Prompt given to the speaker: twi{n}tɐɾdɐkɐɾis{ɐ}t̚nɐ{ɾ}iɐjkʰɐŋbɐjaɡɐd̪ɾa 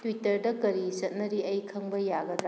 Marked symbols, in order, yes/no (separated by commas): no, yes, yes